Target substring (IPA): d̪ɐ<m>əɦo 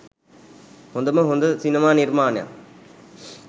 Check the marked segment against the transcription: correct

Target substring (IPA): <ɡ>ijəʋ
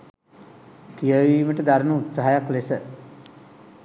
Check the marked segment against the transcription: incorrect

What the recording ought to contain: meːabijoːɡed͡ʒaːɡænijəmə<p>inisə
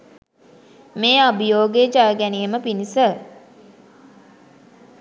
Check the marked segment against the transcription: correct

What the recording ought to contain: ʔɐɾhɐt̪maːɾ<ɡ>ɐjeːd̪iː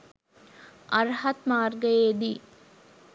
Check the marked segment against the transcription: correct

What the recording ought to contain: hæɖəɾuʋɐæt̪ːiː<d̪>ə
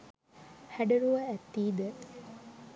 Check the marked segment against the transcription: correct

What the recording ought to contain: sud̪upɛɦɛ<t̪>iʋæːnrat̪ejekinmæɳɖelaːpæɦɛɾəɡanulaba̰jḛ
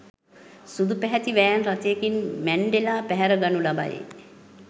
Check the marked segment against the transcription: correct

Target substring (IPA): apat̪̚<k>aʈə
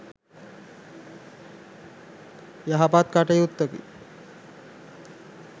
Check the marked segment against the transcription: correct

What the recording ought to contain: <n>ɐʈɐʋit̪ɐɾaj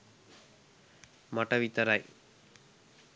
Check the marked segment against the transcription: incorrect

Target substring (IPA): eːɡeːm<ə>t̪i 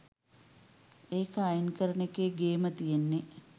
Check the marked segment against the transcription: correct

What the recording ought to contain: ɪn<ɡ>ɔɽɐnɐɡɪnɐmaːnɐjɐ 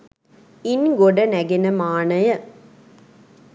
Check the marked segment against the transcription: correct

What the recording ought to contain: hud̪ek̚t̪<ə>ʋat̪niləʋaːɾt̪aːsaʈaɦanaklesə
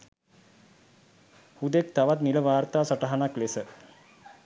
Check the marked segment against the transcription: incorrect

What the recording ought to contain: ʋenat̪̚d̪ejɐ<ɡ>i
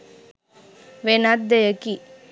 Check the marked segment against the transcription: incorrect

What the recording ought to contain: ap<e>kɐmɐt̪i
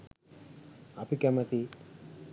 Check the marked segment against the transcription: incorrect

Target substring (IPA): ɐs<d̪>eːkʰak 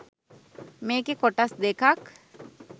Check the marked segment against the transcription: correct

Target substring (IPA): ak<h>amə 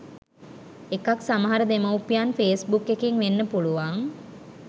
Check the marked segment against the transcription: incorrect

